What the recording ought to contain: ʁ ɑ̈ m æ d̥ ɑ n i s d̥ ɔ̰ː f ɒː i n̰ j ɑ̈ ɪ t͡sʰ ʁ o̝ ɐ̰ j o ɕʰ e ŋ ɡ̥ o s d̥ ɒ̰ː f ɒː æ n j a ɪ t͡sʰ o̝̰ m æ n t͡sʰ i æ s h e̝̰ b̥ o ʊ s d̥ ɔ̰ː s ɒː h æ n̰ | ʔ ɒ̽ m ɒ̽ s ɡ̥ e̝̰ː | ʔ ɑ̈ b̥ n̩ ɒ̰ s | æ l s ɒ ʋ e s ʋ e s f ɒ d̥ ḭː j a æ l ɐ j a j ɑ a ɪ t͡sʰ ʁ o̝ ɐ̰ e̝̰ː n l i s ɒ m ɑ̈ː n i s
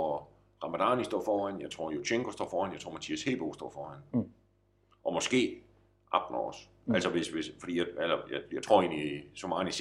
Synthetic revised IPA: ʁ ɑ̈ m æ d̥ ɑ n i s d̥ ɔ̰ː f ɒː æ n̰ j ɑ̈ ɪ t͡sʰ ʁ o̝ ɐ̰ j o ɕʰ e ŋ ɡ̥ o s d̥ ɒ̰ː f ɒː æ n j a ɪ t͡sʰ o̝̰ m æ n t͡sʰ i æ s h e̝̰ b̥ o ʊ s d̥ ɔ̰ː f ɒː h æ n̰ | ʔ ɒ̽ m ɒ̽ s ɡ̥ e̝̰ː | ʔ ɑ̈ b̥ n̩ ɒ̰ s | æ l s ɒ ʋ e s ʋ e s f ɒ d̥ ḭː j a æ l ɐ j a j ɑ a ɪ t͡sʰ ʁ o̝ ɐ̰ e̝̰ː n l i s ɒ m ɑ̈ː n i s